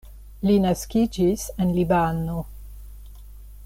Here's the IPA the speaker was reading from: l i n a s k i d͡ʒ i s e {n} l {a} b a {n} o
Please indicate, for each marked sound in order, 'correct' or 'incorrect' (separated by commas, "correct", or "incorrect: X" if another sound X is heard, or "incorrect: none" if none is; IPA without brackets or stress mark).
correct, incorrect: i, correct